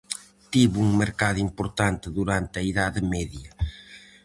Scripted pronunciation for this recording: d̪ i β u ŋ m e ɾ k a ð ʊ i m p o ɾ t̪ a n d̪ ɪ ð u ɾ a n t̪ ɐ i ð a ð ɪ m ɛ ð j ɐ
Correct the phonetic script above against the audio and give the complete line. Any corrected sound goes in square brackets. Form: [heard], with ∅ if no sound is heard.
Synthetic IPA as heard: [t̪] i β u ŋ m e ɾ k a ð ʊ i m p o ɾ t̪ a n [t̪] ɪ ð u ɾ a n t̪ ɐ i ð a ð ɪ m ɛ ð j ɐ